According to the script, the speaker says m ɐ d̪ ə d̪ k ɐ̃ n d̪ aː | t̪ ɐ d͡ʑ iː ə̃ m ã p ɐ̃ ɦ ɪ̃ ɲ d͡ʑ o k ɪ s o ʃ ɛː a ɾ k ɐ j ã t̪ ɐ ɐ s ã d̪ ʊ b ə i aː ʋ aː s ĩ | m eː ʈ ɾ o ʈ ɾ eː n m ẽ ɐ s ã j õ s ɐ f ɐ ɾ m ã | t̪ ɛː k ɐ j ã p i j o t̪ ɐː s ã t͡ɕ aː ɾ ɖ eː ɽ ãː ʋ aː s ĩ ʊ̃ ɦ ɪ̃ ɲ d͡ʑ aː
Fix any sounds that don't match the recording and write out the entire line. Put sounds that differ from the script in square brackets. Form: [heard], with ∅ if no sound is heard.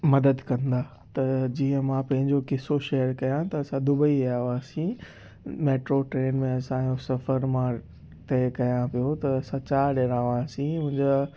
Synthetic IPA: m ɐ d̪ ə d̪ k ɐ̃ n d̪ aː | t̪ ɐ d͡ʑ iː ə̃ m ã p ɐ̃ ɦ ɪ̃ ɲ d͡ʑ o k ɪ s o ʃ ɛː [ə] ɾ k ɐ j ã t̪ ɐ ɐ s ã d̪ ʊ b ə i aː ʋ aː s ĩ | m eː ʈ ɾ o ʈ ɾ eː n m ẽ ɐ s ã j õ s ɐ f [ə] ɾ m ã | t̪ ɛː k ɐ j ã p i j o t̪ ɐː s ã t͡ɕ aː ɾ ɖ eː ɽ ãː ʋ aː s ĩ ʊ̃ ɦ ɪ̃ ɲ d͡ʑ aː

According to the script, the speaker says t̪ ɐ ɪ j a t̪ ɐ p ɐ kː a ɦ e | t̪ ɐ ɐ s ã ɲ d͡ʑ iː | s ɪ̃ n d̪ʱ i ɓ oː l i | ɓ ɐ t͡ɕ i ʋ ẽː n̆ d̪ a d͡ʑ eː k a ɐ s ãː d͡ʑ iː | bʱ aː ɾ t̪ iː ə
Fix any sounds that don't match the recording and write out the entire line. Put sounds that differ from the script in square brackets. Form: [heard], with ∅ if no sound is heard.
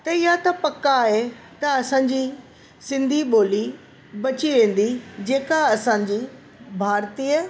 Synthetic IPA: t̪ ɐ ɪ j a t̪ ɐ p ɐ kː a ɦ e | t̪ ɐ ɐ s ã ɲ d͡ʑ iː | s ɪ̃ n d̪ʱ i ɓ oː l i | [b] ɐ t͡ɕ i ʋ ẽː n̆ d̪ [i] d͡ʑ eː k a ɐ s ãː d͡ʑ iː | bʱ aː ɾ t̪ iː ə

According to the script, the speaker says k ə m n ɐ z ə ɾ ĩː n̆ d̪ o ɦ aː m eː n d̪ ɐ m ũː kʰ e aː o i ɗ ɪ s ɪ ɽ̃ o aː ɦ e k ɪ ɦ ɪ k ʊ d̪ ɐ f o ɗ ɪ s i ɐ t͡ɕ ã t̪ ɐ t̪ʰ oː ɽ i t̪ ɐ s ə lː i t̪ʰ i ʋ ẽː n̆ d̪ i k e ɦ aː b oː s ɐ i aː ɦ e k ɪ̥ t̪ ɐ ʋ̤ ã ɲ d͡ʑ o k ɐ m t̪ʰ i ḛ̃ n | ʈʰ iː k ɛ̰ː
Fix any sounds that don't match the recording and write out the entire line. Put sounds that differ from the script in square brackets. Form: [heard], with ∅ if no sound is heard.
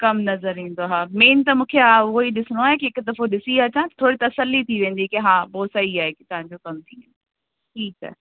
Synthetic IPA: k [ɐ] m n ɐ z ə ɾ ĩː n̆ d̪ o ɦ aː m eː n [t̪] ɐ m ũː kʰ e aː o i ɗ ɪ s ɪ ɽ̃ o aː ɦ e k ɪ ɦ ɪ k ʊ d̪ ɐ f o ɗ ɪ s i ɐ t͡ɕ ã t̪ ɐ t̪ʰ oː ɽ i t̪ ɐ s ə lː i t̪ʰ i ʋ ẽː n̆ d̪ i k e ɦ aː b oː s ɐ i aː ɦ e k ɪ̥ t̪ ɐ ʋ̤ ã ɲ d͡ʑ o k ɐ m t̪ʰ i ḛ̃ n | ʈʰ iː k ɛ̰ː

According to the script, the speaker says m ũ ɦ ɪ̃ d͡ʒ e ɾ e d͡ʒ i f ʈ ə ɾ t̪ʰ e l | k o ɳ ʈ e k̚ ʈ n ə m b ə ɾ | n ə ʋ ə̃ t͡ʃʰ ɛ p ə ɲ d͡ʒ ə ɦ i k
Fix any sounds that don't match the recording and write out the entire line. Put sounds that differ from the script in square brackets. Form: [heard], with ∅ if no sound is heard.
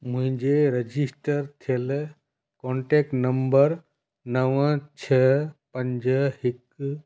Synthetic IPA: m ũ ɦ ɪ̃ d͡ʒ e ɾ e d͡ʒ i [s] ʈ ə ɾ t̪ʰ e l | k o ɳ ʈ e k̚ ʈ n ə m b ə ɾ | n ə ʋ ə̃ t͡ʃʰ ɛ p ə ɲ d͡ʒ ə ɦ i k

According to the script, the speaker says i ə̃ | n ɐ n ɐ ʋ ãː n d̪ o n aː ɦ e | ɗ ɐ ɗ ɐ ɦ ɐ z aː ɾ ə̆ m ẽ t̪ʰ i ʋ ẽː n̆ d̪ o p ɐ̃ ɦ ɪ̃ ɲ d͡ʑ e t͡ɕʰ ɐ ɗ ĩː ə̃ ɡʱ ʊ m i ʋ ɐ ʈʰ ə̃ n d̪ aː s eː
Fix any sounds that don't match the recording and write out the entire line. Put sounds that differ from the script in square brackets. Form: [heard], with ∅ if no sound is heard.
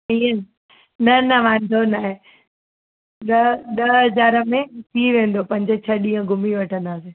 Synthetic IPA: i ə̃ | n ɐ n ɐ ʋ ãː n d̪ o n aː ɦ e | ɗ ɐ ɗ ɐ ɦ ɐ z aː ɾ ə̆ m ẽ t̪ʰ i ʋ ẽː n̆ d̪ o p ɐ̃ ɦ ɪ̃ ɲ d͡ʑ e t͡ɕʰ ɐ ɗ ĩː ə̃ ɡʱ ʊ m i ʋ ɐ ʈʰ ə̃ n d̪ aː s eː

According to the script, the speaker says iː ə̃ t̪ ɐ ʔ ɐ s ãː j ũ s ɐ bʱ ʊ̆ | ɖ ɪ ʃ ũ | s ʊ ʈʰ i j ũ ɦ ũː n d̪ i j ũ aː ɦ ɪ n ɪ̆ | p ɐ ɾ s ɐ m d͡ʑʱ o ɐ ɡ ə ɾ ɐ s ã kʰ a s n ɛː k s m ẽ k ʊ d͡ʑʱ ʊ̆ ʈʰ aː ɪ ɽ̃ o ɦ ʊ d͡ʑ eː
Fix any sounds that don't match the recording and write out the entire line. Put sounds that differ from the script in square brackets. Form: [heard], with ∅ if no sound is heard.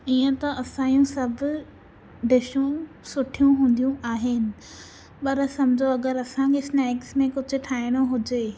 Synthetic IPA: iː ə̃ t̪ ɐ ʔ ɐ s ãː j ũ s ɐ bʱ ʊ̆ | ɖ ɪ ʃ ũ | s ʊ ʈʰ i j ũ ɦ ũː n d̪ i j ũ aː ɦ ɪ n ɪ̆ | p ɐ ɾ s ɐ m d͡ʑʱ o ɐ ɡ ə ɾ ɐ s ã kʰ [e] s n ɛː k s m ẽ k ʊ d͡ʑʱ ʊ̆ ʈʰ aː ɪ ɽ̃ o ɦ ʊ d͡ʑ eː

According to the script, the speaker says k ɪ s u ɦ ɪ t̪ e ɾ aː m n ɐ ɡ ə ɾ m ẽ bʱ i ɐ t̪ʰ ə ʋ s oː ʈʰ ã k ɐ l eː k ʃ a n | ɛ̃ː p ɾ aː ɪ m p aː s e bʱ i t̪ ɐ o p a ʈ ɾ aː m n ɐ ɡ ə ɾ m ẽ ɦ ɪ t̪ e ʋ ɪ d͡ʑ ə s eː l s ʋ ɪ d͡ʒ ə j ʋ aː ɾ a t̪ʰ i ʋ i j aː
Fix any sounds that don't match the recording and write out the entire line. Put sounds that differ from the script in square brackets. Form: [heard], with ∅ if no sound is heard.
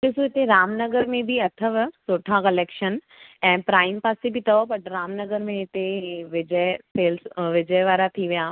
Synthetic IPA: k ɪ s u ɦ ɪ t̪ e ɾ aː m n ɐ ɡ ə ɾ m ẽ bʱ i ɐ t̪ʰ ə ʋ s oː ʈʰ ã k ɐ l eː k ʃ [ə] n | ɛ̃ː p ɾ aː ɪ m p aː s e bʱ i t̪ ɐ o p [ɐ] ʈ ɾ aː m n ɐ ɡ ə ɾ m ẽ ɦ ɪ t̪ e ʋ ɪ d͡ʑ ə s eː l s ʋ ɪ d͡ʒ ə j ʋ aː ɾ a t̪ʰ i ʋ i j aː

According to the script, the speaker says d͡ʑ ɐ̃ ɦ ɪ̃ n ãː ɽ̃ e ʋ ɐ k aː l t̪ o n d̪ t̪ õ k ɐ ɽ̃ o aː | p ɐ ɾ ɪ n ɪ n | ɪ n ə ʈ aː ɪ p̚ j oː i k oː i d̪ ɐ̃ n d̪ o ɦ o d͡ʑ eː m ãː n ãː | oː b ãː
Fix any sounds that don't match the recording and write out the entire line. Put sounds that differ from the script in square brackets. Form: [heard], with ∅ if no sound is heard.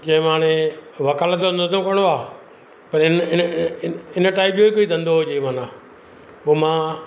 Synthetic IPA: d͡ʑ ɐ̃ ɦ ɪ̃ [m] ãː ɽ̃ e ʋ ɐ k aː l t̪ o n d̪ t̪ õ k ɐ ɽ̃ o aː | p ɐ ɾ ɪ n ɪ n | ɪ n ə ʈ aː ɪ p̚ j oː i k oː i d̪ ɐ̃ n d̪ o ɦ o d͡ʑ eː m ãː n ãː | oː [m] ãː

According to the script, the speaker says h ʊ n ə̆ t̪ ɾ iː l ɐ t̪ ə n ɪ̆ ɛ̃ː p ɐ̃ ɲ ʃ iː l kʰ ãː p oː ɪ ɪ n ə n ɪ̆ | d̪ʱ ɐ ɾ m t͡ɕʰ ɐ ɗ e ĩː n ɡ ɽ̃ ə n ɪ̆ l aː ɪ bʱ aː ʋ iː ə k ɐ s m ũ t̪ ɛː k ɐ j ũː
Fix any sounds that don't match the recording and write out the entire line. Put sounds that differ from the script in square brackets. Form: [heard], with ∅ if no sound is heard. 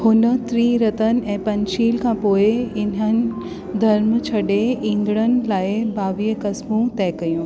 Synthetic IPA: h ʊ n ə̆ t̪ ɾ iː [ɾ] ɐ t̪ ə n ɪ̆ ɛ̃ː p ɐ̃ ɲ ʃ iː l kʰ ãː p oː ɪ ɪ n ə n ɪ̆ | d̪ʱ ɐ ɾ m t͡ɕʰ ɐ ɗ e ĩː [ŋ] ɡ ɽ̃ ə n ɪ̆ l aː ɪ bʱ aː ʋ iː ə k ɐ s m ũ t̪ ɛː k ɐ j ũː

